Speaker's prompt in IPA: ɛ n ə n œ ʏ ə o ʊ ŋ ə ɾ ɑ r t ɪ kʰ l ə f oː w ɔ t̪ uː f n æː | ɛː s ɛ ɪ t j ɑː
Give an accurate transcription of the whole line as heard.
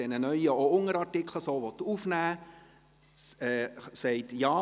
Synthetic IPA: ɛ n ə n œ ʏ ə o ʊ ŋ ə ɾ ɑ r t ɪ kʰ l ə s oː ʋ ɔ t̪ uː f n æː | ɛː s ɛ ɪ t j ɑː